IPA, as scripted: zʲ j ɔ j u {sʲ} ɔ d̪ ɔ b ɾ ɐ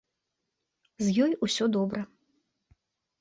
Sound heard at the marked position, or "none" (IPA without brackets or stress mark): sʲ